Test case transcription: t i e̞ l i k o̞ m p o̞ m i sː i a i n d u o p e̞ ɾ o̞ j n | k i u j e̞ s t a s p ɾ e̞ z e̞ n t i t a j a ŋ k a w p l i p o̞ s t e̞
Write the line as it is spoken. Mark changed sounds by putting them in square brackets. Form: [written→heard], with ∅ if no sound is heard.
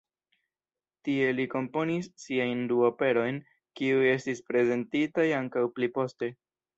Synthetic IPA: t i e̞ l i k o̞ m p o̞ [m→n] i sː i a [i→j] n d u o p e̞ ɾ o̞ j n | k i u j e̞ s t [a→i] s p ɾ e̞ z e̞ n t i t a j a ŋ k a w p l i p o̞ s t e̞